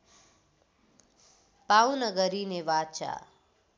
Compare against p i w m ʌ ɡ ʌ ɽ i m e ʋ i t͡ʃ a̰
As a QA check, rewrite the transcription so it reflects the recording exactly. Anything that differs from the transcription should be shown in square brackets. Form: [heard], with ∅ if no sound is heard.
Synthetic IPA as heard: p [a] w [n] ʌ ɡ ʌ [ɾ] i [n] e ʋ [a] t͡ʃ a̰

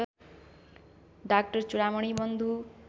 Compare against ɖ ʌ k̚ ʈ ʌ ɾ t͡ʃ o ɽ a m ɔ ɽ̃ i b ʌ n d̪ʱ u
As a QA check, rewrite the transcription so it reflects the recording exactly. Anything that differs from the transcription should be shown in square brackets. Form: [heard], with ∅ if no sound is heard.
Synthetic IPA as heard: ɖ [a] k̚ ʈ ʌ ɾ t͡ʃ [u] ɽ a m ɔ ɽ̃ i b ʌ n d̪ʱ u

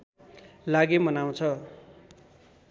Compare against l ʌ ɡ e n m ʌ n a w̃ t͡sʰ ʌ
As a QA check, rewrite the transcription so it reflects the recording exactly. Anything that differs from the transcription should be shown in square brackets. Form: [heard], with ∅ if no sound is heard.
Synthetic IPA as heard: l [a] ɡ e [∅] m ʌ n a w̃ t͡sʰ ʌ

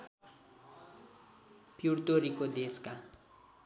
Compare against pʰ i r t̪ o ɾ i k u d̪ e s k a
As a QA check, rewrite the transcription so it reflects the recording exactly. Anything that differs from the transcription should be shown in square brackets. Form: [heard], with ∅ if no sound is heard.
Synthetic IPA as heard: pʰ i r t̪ o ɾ i k [o] d̪ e s k a

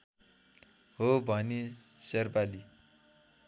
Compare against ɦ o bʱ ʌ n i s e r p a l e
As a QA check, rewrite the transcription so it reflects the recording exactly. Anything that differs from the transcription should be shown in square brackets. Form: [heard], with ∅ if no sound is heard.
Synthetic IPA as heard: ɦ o bʱ ʌ n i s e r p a l [i]

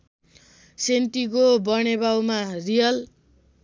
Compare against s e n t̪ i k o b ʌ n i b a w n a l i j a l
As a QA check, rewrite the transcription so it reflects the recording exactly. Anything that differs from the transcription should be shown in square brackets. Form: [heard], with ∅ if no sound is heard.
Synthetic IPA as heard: s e n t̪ i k o b ʌ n [e] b a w [m] a [r] i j [ʌ] l

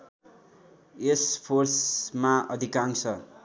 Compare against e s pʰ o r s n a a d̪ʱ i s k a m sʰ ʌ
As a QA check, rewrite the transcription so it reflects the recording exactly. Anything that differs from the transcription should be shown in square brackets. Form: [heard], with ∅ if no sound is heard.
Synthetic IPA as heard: e s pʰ o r s [m] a [ʌ] d̪ʱ i [∅] k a [ŋ] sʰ ʌ

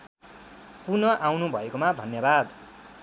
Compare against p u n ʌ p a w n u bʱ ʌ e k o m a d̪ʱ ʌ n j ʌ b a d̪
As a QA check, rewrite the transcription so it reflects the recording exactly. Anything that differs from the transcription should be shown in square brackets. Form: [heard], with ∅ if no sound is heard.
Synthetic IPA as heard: p u n ʌ [ʔ] a w n u bʱ ʌ e k o m a d̪ʱ ʌ n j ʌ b a d̪

